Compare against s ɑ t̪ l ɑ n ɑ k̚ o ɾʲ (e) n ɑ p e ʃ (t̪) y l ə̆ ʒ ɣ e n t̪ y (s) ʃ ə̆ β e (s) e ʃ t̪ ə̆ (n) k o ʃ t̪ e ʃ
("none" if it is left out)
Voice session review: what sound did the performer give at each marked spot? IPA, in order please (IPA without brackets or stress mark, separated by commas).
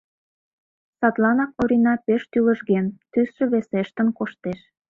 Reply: i, t̪, s, s, n